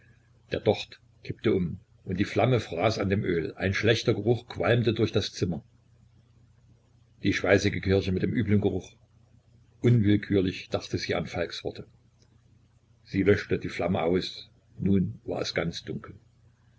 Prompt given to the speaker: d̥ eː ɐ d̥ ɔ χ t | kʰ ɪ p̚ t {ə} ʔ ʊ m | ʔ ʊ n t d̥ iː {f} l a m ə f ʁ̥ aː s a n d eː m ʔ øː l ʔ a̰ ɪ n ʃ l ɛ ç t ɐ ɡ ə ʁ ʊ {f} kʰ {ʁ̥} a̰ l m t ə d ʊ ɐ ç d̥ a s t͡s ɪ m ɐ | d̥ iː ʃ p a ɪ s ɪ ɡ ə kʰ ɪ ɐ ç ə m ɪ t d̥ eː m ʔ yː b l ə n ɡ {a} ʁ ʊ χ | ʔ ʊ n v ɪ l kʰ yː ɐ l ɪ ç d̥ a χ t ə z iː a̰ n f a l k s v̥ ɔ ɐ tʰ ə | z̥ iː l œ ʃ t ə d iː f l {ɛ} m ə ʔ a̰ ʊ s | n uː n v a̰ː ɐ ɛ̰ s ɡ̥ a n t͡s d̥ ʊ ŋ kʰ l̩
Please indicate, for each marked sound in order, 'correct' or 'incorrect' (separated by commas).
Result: correct, correct, incorrect, incorrect, incorrect, incorrect